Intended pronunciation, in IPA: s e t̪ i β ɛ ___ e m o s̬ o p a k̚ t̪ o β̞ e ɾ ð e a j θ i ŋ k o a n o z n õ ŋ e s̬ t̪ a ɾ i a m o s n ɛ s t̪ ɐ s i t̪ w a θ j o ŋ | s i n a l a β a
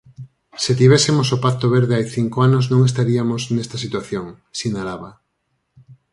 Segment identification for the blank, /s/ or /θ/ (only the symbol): s